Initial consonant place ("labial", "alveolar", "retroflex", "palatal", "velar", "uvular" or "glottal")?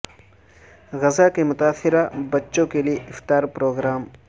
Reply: velar